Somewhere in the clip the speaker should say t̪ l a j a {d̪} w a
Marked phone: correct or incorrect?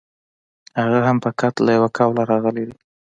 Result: incorrect